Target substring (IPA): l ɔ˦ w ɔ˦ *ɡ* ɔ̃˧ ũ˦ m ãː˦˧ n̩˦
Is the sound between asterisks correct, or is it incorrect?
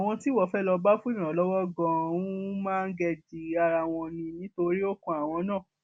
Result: correct